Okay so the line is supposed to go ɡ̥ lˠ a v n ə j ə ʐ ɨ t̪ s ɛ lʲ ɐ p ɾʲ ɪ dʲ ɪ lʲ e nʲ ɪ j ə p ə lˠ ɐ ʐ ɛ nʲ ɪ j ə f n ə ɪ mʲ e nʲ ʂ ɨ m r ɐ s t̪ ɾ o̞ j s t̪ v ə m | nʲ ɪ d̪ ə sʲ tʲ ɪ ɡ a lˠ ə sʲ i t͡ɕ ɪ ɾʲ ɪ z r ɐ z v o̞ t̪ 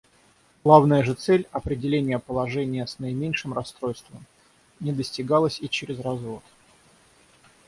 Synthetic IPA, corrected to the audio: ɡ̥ lˠ a v n ə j ə ʐ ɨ t̪ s ɛ lʲ ɐ p ɾʲ ɪ dʲ ɪ lʲ e nʲ ɪ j ə p ə lˠ ɐ ʐ ɛ nʲ ɪ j ə s n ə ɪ mʲ e nʲ ʂ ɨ m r ɐ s t̪ ɾ o̞ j s t̪ v ə m | nʲ ɪ d̪ ə sʲ tʲ ɪ ɡ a lˠ ə sʲ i t͡ɕ ɪ ɾʲ ɪ z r ɐ z v o̞ t̪